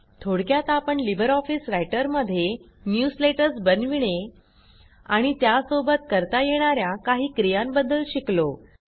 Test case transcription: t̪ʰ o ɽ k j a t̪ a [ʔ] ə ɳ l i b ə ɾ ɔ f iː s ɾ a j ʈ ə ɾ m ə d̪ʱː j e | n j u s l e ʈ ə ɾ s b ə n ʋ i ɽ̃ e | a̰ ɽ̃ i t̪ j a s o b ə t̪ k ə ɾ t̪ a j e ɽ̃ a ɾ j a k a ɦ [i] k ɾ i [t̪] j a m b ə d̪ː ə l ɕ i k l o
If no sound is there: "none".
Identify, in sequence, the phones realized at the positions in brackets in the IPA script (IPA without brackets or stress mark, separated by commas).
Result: p, iː, none